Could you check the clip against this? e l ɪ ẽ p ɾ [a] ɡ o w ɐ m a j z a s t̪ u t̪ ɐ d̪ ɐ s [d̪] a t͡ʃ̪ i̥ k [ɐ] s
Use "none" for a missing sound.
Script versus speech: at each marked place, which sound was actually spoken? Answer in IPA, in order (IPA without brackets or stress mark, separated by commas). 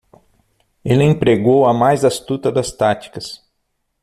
e, t̪, ɐ